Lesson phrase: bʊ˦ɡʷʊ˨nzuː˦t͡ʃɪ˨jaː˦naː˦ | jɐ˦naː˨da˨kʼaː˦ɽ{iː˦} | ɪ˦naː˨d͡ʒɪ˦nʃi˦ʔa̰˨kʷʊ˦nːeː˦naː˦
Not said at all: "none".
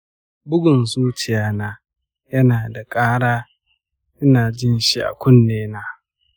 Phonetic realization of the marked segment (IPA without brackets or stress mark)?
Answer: aː˦